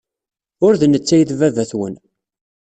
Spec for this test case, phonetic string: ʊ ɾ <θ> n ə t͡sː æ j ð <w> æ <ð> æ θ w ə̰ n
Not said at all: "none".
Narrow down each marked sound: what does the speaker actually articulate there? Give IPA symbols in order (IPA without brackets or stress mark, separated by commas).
ð, v, v